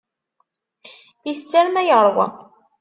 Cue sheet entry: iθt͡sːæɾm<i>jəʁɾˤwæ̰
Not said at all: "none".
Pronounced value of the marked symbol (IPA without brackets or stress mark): æ